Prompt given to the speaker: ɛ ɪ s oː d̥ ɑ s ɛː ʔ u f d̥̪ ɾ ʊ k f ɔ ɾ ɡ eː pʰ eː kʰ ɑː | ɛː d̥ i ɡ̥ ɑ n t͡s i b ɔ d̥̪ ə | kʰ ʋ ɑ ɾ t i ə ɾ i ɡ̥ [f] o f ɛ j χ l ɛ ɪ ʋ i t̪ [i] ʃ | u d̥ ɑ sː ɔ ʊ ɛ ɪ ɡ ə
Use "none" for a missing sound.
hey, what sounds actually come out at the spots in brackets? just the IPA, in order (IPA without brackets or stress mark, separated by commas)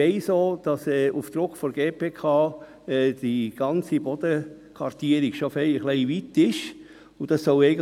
ʃ, ɪ